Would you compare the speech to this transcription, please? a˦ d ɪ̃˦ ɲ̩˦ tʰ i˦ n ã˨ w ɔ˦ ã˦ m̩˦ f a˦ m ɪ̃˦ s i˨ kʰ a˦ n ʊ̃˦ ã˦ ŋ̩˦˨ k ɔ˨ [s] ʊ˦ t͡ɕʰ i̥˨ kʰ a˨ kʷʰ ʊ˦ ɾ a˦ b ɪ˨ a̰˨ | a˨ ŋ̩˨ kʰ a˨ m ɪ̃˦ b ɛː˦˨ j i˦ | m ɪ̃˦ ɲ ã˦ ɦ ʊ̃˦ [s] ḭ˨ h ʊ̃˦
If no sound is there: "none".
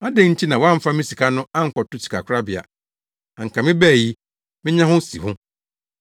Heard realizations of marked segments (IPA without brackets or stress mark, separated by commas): t, s